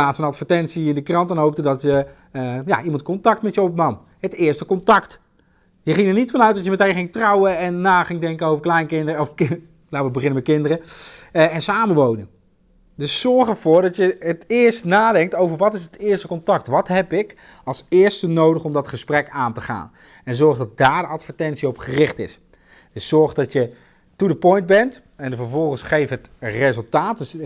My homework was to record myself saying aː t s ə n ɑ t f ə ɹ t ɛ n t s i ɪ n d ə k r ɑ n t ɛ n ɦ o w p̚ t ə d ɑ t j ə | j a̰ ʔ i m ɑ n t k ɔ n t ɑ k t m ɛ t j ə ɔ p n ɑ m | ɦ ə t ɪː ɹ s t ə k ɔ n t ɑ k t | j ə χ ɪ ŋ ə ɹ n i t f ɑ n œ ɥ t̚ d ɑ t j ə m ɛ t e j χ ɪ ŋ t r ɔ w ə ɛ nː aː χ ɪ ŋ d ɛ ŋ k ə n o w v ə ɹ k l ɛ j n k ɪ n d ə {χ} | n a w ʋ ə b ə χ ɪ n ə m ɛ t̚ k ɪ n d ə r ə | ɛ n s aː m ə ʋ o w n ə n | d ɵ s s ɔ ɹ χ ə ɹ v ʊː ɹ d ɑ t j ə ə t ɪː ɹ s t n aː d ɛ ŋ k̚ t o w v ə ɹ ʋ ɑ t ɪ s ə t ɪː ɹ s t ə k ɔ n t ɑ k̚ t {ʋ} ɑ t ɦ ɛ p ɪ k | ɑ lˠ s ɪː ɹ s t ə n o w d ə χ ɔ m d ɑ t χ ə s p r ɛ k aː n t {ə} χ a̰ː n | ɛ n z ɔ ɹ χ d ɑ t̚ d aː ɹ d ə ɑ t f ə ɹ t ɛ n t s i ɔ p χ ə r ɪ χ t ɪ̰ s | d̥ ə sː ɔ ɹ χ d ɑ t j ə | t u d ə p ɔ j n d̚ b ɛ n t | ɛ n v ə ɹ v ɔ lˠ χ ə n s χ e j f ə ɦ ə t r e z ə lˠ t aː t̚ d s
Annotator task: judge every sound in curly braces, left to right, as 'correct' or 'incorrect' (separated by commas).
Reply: incorrect, correct, correct